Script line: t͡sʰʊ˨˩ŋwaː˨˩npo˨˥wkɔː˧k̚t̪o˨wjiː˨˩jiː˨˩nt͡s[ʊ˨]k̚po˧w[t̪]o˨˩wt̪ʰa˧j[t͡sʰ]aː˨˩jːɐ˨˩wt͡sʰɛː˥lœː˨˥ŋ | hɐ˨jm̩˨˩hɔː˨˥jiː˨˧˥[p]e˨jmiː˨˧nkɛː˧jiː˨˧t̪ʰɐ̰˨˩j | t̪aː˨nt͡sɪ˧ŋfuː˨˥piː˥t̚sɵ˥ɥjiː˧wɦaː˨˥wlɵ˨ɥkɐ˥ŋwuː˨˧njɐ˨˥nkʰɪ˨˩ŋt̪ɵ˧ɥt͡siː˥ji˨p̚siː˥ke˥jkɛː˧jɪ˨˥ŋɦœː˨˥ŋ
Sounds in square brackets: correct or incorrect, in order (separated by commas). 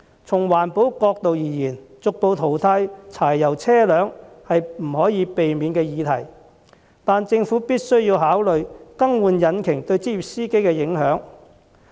correct, incorrect, correct, correct